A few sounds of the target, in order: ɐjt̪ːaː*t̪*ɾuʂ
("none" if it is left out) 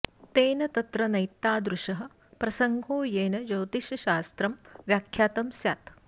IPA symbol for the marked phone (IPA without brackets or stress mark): d̪